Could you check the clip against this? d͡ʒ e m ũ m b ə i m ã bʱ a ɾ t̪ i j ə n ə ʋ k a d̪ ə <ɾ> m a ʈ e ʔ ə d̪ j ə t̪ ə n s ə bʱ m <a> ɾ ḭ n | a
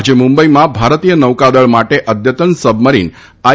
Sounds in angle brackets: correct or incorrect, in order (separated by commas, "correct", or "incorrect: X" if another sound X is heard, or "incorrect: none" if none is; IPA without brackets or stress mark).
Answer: incorrect: ɭ, incorrect: ə